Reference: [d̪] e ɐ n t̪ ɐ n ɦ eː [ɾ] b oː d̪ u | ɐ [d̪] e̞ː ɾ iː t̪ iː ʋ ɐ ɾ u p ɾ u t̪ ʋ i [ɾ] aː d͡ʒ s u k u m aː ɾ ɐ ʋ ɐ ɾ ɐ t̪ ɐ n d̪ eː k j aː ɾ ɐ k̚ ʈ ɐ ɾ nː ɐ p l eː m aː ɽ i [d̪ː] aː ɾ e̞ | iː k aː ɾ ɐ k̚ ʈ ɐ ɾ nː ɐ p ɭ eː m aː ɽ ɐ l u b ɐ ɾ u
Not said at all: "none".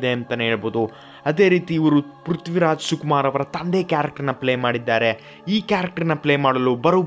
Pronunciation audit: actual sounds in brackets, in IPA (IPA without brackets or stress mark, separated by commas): d̪, ɭ, d̪, ɾ, d̪ː